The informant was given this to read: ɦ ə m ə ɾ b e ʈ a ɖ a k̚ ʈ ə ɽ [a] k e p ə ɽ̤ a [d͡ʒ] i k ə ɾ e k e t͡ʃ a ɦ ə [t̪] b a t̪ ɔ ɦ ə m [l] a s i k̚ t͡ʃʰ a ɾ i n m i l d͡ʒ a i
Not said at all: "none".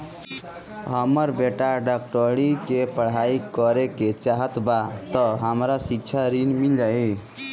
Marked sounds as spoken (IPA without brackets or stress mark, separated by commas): i, none, t̪, ɾ